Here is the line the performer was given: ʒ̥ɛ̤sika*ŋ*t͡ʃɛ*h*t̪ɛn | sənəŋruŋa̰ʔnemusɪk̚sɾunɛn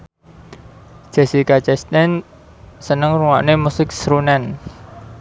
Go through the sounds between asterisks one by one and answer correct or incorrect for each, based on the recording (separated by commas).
incorrect, incorrect